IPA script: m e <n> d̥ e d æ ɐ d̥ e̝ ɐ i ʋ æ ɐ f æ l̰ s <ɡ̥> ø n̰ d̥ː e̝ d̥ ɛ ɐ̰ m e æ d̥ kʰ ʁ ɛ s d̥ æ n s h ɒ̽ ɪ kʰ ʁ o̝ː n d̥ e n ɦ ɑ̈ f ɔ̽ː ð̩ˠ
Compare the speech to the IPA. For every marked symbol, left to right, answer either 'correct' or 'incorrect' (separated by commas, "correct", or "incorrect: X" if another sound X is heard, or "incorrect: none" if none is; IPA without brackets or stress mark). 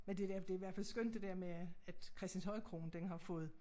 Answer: correct, correct